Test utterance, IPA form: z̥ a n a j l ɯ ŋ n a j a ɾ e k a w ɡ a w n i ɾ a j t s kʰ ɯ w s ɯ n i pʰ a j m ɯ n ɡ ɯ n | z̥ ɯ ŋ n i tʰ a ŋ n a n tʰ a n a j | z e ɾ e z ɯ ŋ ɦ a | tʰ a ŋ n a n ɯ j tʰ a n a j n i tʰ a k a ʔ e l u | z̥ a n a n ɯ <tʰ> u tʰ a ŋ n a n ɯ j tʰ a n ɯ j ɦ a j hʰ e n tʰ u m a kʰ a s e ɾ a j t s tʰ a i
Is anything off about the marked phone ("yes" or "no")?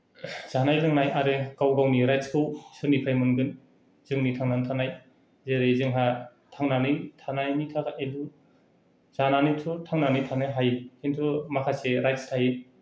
no